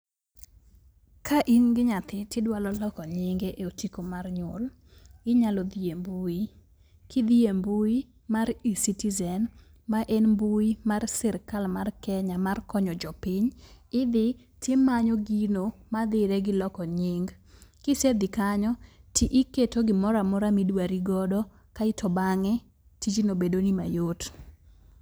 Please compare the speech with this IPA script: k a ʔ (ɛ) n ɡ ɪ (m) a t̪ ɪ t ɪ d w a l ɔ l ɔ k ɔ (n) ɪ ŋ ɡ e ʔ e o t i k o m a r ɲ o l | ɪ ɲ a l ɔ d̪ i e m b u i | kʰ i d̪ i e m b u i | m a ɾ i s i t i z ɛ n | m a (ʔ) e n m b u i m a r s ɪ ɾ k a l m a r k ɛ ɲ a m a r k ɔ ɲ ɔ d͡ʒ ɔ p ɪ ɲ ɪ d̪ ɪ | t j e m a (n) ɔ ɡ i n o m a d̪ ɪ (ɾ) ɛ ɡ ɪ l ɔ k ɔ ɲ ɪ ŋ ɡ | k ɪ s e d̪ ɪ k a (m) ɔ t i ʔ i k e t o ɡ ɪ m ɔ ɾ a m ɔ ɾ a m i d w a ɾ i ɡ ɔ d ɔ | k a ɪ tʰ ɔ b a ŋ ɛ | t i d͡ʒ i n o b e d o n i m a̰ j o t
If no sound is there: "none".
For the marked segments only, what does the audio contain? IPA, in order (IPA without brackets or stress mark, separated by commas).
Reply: i, ɲ, ɲ, ʔ, ɲ, ɾ, ɲ